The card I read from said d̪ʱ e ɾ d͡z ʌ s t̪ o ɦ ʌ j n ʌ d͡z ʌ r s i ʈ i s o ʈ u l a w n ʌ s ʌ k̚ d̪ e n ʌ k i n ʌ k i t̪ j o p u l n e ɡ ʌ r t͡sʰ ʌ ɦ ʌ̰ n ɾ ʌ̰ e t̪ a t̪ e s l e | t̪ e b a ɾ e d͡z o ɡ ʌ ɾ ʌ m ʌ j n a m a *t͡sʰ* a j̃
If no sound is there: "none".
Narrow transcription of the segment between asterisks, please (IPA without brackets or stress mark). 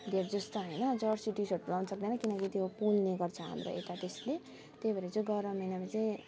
t͡s